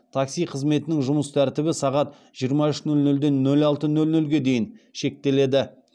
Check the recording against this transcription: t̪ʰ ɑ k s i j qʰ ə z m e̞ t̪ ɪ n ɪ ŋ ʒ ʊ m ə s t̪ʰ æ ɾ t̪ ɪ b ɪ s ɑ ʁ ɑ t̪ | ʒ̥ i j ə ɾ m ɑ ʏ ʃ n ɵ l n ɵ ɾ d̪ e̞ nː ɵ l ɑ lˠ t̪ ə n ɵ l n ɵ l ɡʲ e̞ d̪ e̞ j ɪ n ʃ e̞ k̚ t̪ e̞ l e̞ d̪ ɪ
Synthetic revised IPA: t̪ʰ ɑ k s i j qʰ ə z m e̞ t̪ ɪ n ɪ ŋ ʒ ʊ m ə s t̪ʰ æ ɾ t̪ ɪ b ɪ s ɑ ʁ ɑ t̪ | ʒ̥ i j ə ɾ m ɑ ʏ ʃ n ɵ l n ɵ l d̪ e̞ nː ɵ l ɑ lˠ t̪ ə n ɵ l n ɵ l ɡʲ e̞ d̪ e̞ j ɪ n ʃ e̞ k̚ t̪ e̞ l e̞ d̪ ɪ